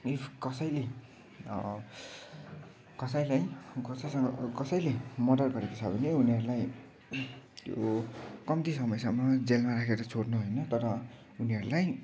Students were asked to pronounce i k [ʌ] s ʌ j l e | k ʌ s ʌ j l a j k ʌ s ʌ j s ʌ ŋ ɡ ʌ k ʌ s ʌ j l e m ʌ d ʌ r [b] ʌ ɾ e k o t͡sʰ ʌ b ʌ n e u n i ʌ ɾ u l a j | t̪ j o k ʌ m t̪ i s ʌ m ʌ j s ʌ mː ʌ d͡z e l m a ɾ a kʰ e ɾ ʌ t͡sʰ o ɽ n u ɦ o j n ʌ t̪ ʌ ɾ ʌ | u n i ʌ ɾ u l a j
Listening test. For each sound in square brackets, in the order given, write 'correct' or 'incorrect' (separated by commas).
correct, incorrect